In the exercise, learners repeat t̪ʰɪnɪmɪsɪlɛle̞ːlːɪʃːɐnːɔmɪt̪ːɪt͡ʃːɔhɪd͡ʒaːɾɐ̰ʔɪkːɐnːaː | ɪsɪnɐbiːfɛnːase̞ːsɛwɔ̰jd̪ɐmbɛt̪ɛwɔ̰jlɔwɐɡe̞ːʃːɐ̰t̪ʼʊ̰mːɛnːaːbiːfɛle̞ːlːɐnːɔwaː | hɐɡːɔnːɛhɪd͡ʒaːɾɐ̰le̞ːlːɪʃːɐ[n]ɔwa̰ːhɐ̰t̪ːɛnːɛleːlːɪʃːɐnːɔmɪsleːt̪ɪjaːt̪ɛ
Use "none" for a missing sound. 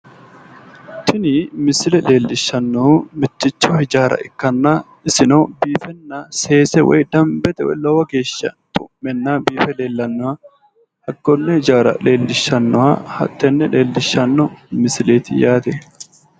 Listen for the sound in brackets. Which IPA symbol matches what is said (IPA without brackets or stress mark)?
nː